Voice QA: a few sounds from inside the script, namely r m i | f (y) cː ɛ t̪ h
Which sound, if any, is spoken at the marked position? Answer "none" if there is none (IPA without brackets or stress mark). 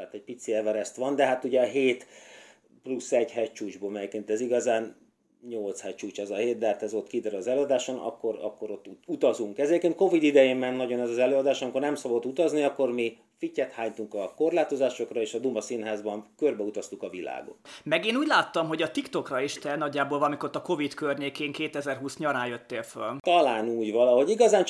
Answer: i